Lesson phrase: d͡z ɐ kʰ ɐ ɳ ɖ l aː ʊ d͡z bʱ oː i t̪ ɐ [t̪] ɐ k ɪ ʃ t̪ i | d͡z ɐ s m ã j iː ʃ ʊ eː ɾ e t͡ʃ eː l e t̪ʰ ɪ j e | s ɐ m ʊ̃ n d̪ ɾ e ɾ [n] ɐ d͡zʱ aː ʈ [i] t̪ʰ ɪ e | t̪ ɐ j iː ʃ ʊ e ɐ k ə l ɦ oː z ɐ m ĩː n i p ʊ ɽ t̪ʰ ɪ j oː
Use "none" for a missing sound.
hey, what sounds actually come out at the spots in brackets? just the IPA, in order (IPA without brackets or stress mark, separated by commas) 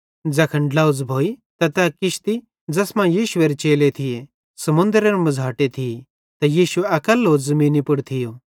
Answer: t̪, m, e